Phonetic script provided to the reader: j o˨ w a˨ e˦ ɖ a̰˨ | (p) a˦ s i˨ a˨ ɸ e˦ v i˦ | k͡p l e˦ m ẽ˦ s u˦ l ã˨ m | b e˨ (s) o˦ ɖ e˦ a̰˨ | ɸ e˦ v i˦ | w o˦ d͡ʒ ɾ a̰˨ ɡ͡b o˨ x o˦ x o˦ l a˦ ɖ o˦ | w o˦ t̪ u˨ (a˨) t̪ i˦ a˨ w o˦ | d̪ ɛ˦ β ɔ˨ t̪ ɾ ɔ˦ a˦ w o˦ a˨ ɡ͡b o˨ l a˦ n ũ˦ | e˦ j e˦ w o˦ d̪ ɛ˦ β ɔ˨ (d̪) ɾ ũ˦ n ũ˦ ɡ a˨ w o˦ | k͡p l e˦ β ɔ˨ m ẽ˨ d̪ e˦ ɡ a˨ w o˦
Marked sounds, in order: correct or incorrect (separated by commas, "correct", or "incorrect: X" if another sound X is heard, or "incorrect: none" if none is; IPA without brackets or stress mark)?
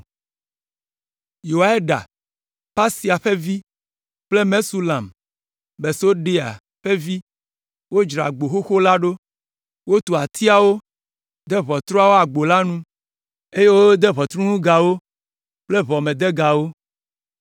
correct, correct, correct, incorrect: t̪